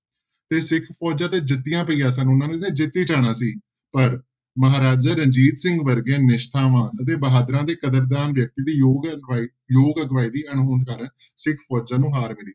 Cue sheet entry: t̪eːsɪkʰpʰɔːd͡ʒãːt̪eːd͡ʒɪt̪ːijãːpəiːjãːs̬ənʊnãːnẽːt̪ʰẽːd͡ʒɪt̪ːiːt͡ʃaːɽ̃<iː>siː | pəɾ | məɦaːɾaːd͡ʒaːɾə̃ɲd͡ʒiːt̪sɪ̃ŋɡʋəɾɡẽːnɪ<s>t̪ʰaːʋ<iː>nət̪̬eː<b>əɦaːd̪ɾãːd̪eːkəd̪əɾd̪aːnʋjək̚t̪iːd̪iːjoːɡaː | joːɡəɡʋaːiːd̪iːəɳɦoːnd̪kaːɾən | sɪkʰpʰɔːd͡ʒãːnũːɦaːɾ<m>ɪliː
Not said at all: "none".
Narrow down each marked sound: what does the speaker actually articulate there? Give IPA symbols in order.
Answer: aː, ʃ, aː, b, m

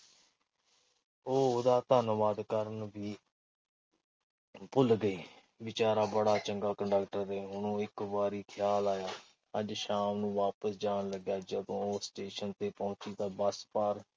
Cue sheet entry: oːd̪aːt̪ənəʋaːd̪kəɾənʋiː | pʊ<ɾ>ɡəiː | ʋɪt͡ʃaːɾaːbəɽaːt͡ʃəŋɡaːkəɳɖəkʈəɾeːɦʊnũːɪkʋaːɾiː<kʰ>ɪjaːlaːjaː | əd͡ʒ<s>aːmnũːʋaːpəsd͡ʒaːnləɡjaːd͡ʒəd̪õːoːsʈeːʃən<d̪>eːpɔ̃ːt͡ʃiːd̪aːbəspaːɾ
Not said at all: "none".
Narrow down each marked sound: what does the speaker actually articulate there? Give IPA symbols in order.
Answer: l, kʰ, ʃ, t̪

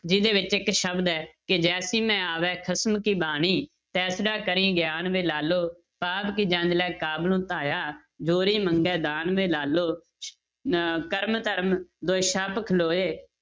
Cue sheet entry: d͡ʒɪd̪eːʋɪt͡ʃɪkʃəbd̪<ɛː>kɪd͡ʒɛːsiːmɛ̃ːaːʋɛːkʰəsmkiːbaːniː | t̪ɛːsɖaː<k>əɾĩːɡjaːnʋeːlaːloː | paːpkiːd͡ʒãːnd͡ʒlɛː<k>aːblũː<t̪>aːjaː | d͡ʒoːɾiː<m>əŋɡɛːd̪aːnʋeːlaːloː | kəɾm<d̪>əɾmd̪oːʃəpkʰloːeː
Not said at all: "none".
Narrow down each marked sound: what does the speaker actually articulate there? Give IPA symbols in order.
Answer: ɛː, k, k, t̪, m, t̪

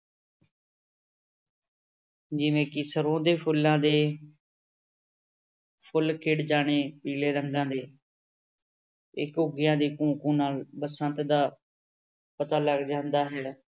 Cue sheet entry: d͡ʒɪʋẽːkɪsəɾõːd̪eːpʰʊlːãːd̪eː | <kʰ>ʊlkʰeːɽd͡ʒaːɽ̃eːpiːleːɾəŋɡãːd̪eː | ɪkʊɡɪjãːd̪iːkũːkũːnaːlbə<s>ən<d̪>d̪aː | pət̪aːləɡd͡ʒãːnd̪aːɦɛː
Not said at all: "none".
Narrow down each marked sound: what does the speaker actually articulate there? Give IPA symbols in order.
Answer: pʰ, s, t̪

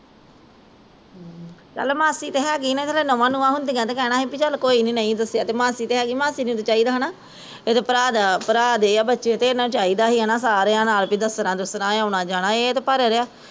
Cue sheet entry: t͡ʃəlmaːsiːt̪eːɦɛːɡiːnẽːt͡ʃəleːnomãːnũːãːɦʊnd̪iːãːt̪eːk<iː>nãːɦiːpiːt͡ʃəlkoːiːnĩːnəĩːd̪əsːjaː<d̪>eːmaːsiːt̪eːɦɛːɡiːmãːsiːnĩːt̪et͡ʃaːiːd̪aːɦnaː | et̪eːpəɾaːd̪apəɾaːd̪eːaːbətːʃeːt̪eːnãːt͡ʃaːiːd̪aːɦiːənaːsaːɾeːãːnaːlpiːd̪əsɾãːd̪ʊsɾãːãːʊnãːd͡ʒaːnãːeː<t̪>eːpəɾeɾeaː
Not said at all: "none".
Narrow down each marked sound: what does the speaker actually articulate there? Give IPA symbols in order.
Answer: ɛː, t̪, t̪

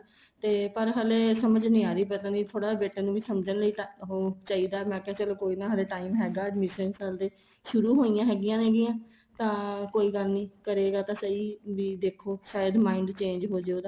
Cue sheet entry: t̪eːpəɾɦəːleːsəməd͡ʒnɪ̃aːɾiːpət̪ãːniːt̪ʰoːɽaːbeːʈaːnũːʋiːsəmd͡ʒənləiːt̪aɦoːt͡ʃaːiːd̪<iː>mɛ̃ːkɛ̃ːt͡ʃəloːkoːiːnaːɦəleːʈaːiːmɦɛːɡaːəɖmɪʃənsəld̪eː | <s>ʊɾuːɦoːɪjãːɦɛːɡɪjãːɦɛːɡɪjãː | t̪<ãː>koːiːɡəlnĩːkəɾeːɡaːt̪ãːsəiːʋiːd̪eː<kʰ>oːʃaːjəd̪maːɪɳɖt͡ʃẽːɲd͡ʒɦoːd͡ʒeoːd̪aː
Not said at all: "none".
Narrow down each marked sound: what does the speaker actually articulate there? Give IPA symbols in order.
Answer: aː, ʃ, ãː, kʰ

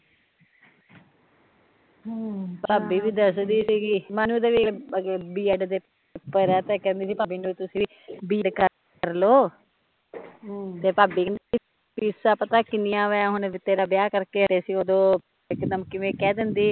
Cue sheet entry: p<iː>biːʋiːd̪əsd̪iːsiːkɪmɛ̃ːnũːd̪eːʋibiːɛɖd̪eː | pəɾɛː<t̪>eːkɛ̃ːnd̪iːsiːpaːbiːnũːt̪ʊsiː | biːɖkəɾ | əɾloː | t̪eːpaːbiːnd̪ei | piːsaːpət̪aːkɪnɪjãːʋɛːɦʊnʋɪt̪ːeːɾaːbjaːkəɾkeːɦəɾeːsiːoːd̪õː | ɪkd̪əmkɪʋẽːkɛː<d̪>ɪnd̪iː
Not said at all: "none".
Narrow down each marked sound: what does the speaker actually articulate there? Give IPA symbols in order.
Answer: aː, t̪, d̪

